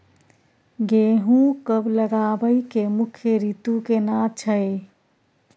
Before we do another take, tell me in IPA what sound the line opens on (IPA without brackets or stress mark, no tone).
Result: ɡ